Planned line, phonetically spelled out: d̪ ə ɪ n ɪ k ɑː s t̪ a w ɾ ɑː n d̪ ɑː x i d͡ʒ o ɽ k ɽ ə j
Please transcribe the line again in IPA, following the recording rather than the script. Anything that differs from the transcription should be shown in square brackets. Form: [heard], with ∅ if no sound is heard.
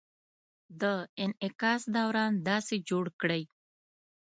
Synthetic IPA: d̪ ə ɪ n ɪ k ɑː s [d̪] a w ɾ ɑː n d̪ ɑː [s] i d͡ʒ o ɽ k ɽ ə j